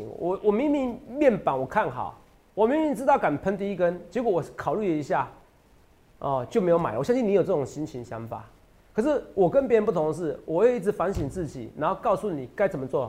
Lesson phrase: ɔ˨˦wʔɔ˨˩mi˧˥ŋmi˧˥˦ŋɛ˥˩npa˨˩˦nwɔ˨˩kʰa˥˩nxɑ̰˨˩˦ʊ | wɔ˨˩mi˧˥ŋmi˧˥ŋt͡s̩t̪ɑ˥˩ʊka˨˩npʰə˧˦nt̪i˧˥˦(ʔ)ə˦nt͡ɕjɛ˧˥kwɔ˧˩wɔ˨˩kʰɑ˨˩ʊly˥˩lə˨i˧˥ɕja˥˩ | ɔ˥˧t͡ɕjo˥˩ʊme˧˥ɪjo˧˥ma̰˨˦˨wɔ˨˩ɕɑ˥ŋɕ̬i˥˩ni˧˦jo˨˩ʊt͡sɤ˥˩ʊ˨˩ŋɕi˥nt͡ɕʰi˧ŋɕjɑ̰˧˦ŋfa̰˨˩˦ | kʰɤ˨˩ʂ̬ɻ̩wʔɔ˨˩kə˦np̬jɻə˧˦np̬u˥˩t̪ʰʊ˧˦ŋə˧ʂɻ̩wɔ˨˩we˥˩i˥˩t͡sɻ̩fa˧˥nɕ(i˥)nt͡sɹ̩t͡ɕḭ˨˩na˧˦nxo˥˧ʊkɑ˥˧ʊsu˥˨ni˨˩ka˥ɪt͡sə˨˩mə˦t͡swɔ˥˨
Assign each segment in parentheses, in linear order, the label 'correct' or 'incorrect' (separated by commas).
incorrect, incorrect